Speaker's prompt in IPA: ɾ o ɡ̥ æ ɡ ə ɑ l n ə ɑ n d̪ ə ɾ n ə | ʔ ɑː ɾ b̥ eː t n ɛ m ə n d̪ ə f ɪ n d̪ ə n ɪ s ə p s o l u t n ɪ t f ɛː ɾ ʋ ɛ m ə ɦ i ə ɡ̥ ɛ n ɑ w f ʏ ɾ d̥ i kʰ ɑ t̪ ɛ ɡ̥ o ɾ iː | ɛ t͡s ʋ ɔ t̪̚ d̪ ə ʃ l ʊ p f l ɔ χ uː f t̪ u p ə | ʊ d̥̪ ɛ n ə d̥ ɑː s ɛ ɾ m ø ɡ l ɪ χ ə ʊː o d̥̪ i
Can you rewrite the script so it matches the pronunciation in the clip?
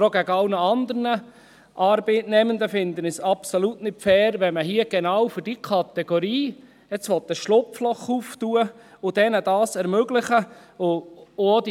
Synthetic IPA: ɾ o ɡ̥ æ ɡ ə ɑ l n ə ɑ n d̪ ə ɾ n ə | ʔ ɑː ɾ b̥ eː t n ɛ m ə n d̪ ə f ɪ n d̪ ə n ɪ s ɑ p s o l u t n ɪ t f ɛː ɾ ʋ ɛ m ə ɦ i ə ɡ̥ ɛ n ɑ w f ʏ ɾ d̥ i kʰ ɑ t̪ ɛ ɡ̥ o ɾ iː | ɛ t͡s ʋ ɔ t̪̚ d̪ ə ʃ l ʊ p f l ɔ χ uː f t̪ u ə | ʊ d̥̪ ɛ n ə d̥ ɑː s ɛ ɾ m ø ɡ l ɪ χ ə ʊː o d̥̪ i